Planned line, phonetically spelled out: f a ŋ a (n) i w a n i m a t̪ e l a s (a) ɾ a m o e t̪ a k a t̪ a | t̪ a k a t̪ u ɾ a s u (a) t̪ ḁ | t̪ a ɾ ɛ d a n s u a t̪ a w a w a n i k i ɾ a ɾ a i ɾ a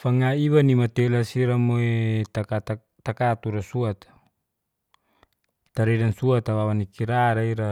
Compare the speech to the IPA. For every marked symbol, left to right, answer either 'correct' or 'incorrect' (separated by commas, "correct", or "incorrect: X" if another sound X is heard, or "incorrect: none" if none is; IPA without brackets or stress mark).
incorrect: none, incorrect: i, correct